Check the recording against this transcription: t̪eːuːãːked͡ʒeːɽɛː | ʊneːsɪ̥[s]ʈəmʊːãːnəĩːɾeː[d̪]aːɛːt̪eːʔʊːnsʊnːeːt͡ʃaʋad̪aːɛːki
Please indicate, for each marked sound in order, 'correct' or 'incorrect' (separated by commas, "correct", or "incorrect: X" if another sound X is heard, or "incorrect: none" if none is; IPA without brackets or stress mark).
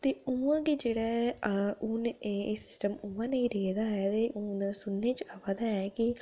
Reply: correct, correct